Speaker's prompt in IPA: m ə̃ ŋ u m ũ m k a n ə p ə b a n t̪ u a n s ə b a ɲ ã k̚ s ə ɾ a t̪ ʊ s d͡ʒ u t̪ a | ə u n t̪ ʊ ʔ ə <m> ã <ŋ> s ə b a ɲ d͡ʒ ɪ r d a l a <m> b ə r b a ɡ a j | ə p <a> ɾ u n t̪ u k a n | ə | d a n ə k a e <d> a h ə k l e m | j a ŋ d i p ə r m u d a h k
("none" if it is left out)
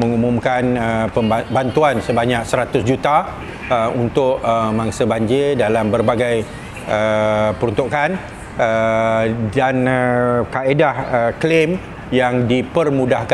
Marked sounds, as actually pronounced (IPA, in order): m, ŋ, m, ə, d

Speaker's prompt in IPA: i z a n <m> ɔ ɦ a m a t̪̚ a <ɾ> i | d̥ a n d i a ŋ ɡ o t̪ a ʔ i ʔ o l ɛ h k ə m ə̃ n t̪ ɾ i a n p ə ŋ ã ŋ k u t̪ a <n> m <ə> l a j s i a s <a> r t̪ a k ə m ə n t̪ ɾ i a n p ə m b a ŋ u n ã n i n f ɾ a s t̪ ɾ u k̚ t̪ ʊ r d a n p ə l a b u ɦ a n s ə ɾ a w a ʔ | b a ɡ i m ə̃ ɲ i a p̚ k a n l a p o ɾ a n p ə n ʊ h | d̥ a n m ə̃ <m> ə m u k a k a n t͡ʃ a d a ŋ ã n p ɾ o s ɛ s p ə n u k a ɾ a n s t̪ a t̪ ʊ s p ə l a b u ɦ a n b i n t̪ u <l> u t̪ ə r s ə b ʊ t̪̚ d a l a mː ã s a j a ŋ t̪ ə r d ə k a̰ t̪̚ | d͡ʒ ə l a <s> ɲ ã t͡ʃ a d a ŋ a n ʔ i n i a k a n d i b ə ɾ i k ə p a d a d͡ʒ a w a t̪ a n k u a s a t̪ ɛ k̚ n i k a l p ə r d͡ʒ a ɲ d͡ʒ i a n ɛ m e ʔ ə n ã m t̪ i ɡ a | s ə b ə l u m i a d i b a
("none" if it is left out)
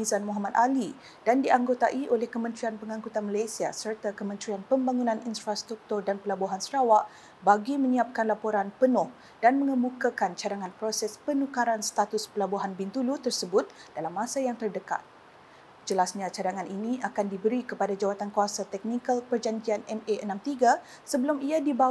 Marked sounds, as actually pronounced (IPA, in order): m, l, n, a, ə, ŋ, l, s

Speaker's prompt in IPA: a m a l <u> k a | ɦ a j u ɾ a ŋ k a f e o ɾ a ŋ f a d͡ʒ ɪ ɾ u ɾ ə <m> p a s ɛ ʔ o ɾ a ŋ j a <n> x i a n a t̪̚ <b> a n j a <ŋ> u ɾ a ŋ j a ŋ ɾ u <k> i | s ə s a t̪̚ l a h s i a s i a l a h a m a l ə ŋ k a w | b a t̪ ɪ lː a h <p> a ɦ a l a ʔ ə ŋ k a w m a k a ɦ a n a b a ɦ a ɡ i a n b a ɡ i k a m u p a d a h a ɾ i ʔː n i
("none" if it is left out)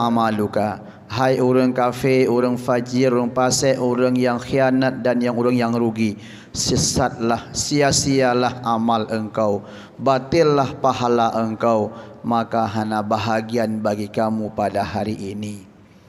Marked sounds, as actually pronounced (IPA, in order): u, ŋ, ŋ, d, ŋ, ɡ, p

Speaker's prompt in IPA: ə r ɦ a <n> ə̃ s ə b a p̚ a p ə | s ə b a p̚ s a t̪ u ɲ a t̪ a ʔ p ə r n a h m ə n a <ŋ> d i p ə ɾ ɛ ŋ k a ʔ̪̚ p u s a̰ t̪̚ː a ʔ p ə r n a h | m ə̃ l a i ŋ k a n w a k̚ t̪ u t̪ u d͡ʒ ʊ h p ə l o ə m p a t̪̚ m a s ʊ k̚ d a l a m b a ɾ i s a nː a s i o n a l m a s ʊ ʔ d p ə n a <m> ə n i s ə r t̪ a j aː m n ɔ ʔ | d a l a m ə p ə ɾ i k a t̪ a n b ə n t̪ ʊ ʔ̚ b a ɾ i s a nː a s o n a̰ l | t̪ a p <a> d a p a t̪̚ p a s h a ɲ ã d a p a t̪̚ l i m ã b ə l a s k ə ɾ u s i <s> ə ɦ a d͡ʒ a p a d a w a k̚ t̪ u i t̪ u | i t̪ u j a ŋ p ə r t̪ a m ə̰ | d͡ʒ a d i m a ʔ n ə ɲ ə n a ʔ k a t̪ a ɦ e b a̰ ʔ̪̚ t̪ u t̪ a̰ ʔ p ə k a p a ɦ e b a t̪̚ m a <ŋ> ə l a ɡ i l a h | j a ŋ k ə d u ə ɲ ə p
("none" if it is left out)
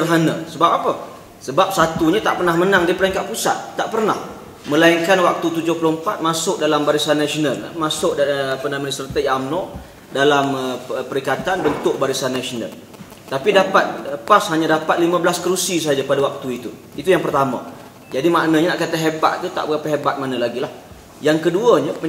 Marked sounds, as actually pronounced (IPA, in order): n, ŋ, m, i, s, n

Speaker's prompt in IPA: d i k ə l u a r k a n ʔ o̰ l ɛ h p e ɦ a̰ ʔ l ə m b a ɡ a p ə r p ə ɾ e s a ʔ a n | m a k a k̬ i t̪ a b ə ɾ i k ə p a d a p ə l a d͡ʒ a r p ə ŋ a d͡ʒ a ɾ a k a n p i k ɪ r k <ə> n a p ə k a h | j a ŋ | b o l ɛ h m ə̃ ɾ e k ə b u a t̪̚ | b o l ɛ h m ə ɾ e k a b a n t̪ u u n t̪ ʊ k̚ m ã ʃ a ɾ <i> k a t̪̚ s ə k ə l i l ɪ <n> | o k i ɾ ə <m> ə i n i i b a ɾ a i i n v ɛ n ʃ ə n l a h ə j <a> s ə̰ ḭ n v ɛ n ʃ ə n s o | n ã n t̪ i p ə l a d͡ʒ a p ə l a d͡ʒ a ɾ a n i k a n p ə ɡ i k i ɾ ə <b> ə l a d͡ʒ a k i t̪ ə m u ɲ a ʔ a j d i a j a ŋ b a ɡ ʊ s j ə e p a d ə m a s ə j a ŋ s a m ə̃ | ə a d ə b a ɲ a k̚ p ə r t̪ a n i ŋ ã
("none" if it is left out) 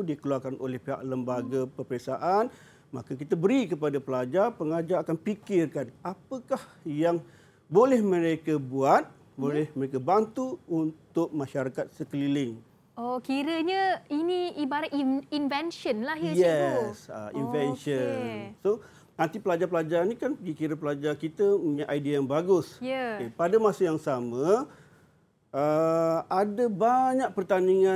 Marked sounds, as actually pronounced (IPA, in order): a, a, ŋ, ɲ, ɛ, p

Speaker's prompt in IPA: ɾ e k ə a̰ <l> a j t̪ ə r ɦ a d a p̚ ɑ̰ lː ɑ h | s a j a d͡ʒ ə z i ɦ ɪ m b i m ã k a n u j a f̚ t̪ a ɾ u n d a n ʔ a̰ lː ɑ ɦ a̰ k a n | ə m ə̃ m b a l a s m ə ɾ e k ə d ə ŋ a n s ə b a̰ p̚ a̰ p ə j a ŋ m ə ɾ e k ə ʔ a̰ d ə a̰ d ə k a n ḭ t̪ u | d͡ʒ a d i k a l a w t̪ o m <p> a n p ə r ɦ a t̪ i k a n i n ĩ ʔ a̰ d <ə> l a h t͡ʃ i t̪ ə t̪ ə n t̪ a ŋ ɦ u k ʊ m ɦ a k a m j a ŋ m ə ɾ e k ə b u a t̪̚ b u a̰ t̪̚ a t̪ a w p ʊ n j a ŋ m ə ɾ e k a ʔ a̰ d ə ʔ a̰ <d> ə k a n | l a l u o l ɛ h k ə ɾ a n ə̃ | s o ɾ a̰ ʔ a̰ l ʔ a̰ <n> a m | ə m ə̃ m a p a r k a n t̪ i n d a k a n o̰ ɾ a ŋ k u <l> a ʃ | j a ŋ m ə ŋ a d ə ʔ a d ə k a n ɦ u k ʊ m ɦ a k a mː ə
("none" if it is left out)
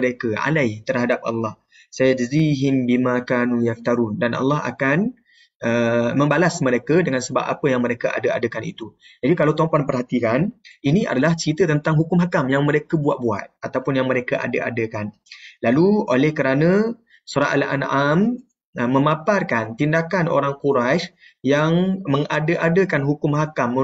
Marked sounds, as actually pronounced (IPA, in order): l, p, a, d, n, ɾ

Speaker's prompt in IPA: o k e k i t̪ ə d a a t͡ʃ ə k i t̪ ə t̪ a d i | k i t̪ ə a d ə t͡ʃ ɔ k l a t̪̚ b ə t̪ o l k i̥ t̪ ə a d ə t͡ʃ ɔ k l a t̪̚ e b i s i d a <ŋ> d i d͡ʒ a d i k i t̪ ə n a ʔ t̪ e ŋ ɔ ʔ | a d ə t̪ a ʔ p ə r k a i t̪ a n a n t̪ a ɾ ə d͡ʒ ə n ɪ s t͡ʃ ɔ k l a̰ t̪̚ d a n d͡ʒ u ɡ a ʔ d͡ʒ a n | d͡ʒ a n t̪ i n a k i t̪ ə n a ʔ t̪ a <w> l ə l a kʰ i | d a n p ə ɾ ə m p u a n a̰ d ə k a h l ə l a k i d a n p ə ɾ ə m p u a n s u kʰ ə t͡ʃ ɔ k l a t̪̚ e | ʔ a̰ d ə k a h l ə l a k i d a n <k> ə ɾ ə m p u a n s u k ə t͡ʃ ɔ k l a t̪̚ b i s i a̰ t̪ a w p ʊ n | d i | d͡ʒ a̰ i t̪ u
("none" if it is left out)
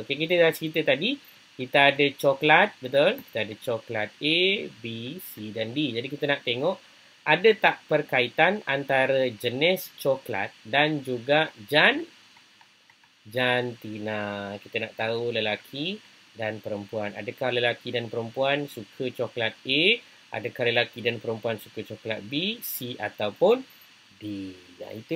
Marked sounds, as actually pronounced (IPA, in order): n, u, p

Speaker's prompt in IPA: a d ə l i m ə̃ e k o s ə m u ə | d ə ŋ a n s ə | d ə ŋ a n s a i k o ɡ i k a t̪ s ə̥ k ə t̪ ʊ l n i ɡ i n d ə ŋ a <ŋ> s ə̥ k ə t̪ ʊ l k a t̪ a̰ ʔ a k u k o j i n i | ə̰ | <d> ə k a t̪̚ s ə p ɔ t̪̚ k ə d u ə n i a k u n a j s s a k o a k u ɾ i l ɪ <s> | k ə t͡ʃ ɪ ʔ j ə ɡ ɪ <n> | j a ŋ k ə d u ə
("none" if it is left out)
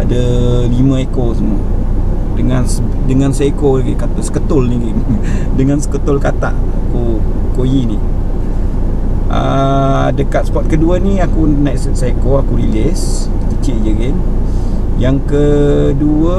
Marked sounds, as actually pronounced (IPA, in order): n, d, s, n

